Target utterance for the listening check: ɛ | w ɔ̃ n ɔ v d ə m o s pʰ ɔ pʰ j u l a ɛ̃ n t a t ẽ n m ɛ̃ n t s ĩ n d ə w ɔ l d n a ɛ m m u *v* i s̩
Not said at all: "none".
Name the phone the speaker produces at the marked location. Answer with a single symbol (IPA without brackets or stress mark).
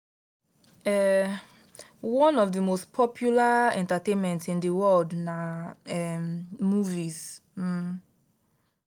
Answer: v